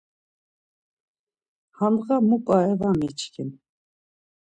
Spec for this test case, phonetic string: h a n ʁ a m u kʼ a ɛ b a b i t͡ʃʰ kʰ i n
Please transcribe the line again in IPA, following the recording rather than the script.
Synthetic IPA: h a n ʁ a m u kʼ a ɛ v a m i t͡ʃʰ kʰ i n